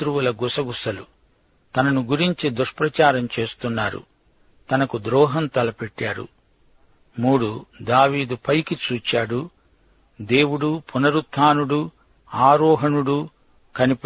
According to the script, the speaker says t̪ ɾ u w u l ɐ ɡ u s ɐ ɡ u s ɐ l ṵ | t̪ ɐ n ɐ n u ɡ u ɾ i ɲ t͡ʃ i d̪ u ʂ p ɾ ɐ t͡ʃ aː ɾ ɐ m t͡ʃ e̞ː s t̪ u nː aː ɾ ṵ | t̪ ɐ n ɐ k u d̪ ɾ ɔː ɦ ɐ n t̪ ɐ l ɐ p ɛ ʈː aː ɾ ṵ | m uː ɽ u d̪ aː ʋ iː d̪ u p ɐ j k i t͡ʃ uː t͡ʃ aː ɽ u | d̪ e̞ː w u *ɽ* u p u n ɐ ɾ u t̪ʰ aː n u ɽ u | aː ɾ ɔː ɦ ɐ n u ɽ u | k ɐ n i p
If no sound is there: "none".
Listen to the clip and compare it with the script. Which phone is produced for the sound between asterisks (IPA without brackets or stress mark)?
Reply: ɽ